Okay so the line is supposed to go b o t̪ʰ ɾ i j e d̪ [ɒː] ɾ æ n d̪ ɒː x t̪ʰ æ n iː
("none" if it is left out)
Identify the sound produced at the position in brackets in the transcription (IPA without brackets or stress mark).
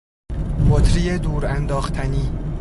uː